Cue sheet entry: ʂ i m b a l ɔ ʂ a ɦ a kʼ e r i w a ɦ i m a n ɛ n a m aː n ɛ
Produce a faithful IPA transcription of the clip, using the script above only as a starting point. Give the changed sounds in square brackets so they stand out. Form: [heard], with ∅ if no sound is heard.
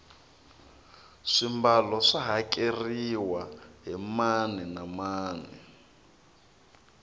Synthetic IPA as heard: ʂ i m b a l ɔ ʂ a ɦ a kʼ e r i w a ɦ i m a n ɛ n a m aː n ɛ